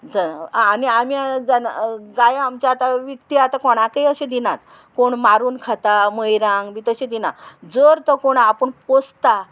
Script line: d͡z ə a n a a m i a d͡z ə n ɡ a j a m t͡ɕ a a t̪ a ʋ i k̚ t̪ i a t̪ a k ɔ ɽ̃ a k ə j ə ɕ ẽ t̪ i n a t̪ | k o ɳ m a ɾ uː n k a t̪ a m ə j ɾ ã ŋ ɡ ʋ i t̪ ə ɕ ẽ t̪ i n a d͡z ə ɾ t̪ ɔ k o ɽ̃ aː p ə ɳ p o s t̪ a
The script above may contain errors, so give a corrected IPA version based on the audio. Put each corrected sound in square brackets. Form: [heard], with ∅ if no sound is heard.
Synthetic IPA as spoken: d͡z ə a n [i] a m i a d͡z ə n ɡ a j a m t͡ɕ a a t̪ a ʋ i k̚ t̪ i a t̪ a k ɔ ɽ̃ a k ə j ə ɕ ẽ [d̪] i n a t̪ | k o ɳ m a ɾ uː n [kʰ] a t̪ a m ə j ɾ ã ŋ ɡ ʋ i t̪ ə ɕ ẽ [d̪] i n a d͡z ə ɾ t̪ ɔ k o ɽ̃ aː p ə ɳ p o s t̪ a